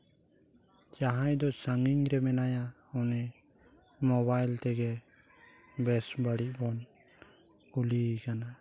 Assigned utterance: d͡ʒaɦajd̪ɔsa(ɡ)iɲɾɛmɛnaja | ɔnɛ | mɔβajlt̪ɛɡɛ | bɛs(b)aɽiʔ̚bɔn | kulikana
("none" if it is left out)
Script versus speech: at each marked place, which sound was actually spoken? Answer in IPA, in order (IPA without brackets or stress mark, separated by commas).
ŋ, b